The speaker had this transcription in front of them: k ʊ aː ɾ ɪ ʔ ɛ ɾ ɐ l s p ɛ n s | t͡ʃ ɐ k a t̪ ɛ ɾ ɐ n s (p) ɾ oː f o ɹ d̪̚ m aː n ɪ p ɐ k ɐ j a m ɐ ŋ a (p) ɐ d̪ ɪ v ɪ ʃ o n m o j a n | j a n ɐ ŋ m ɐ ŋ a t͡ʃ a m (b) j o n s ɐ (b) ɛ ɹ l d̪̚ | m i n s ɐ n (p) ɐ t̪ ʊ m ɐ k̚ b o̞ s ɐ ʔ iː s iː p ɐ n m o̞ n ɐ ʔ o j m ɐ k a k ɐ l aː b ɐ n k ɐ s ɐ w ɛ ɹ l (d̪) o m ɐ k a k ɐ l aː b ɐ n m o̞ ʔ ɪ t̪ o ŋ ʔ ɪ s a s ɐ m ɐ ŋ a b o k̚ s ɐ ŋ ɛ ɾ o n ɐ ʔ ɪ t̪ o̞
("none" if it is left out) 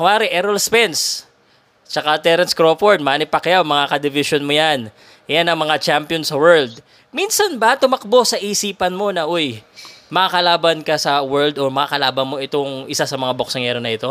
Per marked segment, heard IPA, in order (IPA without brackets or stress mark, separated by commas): k, k, p, w, b, d̪